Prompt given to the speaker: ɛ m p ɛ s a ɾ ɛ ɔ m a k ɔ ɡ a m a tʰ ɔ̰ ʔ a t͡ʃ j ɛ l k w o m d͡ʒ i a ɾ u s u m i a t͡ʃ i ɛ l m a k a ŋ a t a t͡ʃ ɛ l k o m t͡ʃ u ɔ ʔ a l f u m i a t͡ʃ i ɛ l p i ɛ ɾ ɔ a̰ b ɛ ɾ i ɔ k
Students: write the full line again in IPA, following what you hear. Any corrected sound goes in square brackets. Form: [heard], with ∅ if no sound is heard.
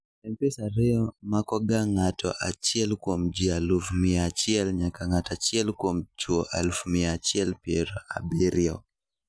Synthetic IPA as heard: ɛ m p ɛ s a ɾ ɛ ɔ m a k ɔ ɡ a [ŋ] a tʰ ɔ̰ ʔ a t͡ʃ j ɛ l k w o m d͡ʒ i a [l] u [f] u m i a t͡ʃ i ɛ l [ɲ] a k a ŋ a t a t͡ʃ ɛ l k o m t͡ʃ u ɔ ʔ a l f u m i a t͡ʃ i ɛ l p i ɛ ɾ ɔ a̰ b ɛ ɾ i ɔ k